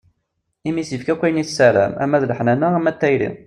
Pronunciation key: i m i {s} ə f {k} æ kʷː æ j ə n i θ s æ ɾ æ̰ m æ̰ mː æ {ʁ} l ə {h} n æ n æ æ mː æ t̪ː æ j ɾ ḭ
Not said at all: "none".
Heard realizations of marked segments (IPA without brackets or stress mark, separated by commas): s, k, ð, ħ